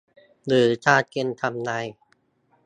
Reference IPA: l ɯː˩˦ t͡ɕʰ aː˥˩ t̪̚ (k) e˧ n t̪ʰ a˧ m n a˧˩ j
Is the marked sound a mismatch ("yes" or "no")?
no